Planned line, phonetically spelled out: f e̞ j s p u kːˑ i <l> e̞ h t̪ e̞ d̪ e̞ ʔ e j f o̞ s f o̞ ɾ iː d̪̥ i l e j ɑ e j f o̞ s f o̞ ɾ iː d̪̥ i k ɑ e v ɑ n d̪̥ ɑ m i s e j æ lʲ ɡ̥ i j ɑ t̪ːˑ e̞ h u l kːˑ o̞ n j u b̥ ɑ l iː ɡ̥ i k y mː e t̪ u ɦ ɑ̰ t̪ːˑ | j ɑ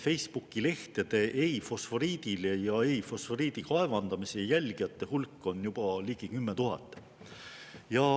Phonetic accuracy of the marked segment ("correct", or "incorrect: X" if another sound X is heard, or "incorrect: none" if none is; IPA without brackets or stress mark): correct